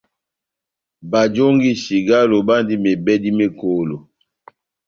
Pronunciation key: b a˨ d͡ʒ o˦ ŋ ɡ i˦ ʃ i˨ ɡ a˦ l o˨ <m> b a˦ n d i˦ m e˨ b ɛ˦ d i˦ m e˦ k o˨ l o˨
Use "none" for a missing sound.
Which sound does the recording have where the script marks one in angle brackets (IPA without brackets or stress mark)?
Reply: none